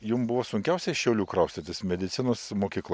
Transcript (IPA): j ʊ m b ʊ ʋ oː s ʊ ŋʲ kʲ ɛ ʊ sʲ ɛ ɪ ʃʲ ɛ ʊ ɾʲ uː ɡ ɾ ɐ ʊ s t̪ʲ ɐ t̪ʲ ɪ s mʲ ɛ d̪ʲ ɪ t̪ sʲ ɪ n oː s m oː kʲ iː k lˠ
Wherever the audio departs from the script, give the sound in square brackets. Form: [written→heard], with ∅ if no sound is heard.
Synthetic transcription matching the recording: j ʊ m b ʊ ʋ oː s ʊ ŋʲ kʲ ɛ ʊ sʲ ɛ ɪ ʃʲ ɛ ʊ [ɾʲ→lʲ] uː [ɡ→k] ɾ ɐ ʊ s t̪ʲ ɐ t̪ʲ ɪ s mʲ ɛ d̪ʲ ɪ t̪ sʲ ɪ n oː s m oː kʲ iː k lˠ

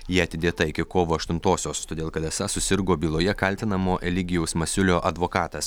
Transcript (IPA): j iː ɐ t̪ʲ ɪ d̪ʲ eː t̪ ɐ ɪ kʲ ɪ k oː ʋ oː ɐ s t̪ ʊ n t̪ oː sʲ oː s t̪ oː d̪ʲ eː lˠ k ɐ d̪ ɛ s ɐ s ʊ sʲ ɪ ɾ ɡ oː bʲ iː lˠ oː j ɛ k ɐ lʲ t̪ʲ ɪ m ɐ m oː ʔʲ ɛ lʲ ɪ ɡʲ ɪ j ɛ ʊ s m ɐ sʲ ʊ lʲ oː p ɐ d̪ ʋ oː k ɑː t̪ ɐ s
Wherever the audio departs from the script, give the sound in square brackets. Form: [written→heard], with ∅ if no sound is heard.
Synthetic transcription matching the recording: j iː ɐ t̪ʲ ɪ d̪ʲ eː t̪ ɐ ɪ kʲ ɪ k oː ʋ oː ɐ [s→ʃ] t̪ ʊ n t̪ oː sʲ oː s t̪ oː d̪ʲ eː lˠ k ɐ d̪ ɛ s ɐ s ʊ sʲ ɪ ɾ ɡ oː bʲ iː lˠ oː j ɛ k ɐ lʲ t̪ʲ ɪ [m→n] ɐ m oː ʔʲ ɛ lʲ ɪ ɡʲ ɪ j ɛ ʊ s m ɐ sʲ ʊ lʲ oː [p→ʔ] ɐ d̪ ʋ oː k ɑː t̪ ɐ s

